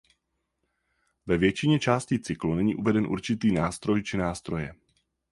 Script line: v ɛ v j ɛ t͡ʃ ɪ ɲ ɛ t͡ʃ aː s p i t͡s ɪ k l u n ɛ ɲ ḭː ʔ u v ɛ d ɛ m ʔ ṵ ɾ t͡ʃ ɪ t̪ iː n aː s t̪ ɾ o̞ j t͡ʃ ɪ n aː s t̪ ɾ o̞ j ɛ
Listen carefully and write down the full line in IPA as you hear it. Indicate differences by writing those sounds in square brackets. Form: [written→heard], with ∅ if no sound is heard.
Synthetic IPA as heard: v ɛ v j ɛ t͡ʃ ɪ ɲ ɛ t͡ʃ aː s [p→c] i t͡s ɪ k l u n ɛ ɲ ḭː ʔ u v ɛ d ɛ [m→n] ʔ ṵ ɾ t͡ʃ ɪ t̪ iː n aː s t̪ ɾ o̞ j t͡ʃ ɪ n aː s t̪ ɾ o̞ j ɛ